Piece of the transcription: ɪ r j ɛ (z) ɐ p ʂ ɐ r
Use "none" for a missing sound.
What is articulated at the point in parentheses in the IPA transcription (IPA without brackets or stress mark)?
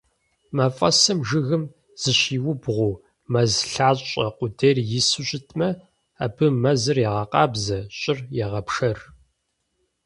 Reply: ʁ